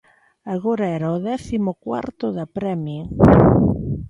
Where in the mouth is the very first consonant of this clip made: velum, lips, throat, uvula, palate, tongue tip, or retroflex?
velum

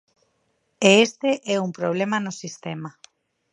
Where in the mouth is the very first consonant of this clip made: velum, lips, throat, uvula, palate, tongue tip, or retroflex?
tongue tip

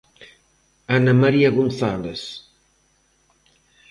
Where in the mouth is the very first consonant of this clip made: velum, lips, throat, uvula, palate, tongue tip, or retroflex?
tongue tip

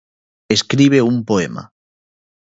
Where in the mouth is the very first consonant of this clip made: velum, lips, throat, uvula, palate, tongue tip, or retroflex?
tongue tip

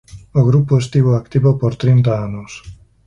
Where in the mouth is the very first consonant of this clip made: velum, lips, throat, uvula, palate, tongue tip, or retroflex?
velum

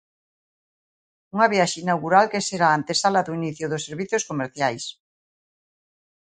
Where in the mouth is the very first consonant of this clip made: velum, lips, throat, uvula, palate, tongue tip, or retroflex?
velum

